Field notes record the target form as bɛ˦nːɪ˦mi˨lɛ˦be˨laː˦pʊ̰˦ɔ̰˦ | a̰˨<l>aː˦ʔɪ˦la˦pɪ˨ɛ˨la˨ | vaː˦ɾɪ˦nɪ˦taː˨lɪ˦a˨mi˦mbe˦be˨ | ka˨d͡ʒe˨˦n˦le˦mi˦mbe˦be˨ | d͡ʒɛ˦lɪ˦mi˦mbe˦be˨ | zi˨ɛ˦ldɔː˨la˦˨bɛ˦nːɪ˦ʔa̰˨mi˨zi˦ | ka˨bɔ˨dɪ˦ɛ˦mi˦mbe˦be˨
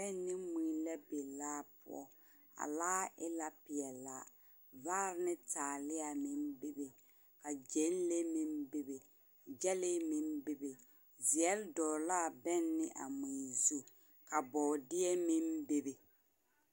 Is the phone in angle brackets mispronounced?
no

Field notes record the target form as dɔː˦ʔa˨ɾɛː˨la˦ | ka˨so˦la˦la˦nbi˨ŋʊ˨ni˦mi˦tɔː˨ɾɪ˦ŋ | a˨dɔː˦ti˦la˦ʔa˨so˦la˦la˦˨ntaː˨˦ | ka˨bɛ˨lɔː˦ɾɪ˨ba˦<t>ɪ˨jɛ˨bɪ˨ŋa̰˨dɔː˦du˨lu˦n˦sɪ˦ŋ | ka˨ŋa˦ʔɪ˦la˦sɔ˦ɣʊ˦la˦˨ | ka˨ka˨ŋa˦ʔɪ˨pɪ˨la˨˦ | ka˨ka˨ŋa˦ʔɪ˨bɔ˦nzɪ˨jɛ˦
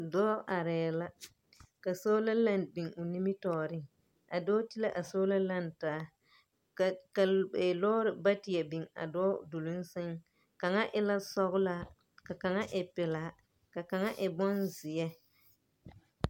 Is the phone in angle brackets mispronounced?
no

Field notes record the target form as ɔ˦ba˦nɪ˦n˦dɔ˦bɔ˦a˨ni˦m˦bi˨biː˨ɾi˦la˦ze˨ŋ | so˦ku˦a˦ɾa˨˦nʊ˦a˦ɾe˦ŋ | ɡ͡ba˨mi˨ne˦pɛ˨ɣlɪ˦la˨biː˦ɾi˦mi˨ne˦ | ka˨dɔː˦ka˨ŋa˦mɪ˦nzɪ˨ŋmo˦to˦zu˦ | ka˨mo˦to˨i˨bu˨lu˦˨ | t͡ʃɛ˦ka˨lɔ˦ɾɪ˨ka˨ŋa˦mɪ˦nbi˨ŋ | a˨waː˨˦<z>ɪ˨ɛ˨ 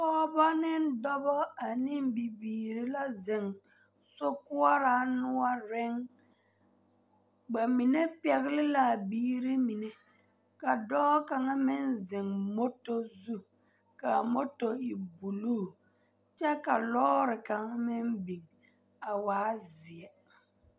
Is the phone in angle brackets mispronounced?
no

